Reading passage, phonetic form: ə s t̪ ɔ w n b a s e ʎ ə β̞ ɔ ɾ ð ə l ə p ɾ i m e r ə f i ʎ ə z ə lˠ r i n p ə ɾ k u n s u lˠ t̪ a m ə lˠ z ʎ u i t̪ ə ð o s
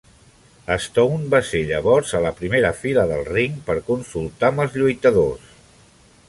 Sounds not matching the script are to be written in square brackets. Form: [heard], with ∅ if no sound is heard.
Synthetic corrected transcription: ə s t̪ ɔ w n b a s e ʎ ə β̞ ɔ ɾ [z] ə l ə p ɾ i m e [ɾ] ə f i [l] ə [ð] ə lˠ r i [ŋ] p ə ɾ k u n s u lˠ t̪ a m ə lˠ z ʎ u [j] t̪ ə ð o s